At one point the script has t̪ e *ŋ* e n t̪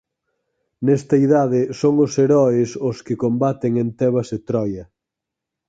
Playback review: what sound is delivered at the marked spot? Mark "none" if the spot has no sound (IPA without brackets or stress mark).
ŋ